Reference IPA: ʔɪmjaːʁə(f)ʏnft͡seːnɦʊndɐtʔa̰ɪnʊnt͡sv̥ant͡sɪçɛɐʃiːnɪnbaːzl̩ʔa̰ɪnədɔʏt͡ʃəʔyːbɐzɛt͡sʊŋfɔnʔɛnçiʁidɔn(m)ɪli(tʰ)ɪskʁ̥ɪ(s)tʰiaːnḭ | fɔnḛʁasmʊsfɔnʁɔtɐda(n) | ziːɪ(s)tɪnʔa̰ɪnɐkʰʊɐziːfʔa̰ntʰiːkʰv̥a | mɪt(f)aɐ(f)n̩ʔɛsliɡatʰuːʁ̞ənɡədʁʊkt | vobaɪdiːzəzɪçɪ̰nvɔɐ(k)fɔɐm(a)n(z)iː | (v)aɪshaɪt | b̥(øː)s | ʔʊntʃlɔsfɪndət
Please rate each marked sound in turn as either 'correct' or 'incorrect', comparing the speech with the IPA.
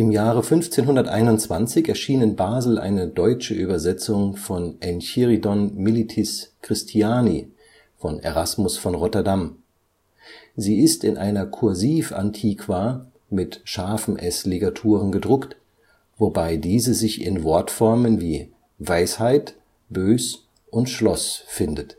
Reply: correct, correct, correct, correct, incorrect: m, correct, incorrect: ʃ, correct, incorrect: t, incorrect: ə, incorrect: v, correct, correct

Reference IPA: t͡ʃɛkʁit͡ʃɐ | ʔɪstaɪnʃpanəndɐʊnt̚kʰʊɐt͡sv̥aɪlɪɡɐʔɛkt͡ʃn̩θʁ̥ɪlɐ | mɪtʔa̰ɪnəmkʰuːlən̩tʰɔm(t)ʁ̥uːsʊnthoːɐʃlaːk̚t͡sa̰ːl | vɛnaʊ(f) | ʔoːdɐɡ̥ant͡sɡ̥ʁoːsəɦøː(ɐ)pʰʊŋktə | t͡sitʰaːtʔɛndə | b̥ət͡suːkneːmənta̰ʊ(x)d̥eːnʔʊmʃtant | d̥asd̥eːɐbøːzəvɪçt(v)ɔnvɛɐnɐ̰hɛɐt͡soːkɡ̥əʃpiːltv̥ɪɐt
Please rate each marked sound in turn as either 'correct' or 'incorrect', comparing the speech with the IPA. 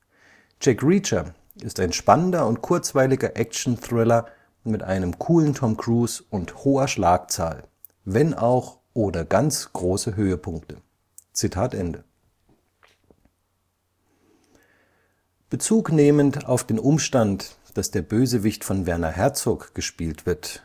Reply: incorrect: k, incorrect: x, incorrect: ə, incorrect: f, incorrect: f

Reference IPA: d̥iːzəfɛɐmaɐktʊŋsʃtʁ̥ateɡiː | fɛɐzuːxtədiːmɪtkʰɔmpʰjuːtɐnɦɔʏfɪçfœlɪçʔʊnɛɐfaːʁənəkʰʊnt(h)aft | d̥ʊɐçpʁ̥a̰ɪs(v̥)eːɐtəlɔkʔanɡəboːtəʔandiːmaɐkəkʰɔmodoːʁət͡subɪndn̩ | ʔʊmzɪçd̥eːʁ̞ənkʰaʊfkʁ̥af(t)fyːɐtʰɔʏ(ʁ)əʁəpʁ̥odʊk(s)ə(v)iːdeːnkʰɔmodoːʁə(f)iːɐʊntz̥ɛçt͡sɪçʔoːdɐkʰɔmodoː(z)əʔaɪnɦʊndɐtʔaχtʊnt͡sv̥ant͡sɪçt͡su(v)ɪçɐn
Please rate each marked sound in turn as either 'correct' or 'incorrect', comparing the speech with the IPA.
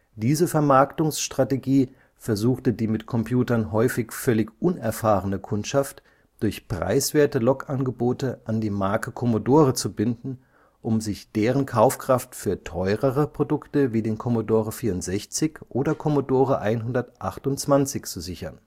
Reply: incorrect: ʃ, correct, correct, correct, incorrect: t, correct, correct, incorrect: ʁ, incorrect: z

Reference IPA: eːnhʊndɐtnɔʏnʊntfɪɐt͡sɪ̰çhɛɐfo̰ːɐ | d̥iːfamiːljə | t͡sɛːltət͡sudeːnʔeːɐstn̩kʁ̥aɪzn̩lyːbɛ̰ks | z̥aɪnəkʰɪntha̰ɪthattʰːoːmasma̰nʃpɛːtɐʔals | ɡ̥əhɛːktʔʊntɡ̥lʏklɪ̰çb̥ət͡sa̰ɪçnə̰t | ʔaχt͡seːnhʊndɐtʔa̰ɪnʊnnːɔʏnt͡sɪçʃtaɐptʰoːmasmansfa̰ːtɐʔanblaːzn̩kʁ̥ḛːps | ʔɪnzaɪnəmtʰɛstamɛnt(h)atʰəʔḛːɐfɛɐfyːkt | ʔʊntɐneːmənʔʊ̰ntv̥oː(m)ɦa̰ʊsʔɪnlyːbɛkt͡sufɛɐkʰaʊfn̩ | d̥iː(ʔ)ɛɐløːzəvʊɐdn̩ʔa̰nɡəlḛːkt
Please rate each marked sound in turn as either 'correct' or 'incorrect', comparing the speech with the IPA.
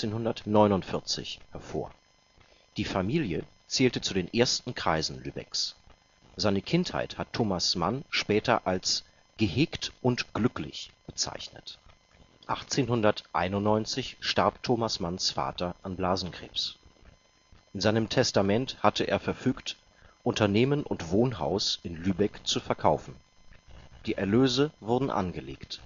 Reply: correct, incorrect: n, correct

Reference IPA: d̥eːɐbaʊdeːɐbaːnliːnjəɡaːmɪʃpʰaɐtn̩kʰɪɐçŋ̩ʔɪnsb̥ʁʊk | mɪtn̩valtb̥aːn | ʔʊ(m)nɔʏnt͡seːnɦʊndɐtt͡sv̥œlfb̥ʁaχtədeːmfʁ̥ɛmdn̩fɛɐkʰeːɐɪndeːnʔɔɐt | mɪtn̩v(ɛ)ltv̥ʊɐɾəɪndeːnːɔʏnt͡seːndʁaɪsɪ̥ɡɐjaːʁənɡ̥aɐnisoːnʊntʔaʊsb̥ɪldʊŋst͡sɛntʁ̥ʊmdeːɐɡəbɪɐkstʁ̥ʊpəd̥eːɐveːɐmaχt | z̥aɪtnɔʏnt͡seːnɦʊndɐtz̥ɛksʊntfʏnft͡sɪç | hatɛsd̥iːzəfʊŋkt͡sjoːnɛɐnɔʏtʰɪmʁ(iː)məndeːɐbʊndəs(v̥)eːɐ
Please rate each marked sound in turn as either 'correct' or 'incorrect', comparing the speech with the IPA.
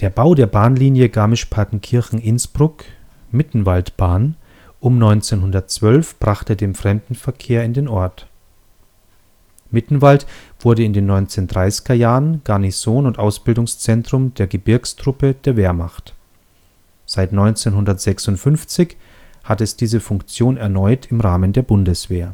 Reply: correct, incorrect: a, incorrect: aː, correct

